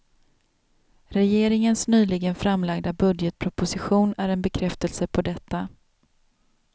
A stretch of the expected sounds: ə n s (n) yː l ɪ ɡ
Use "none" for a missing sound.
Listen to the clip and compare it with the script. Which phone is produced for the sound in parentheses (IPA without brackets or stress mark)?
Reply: n